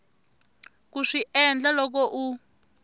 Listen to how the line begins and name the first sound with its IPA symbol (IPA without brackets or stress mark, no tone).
k